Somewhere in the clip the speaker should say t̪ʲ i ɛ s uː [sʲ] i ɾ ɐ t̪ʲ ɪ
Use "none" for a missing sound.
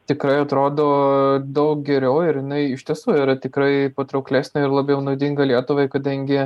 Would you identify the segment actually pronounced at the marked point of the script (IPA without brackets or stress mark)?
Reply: none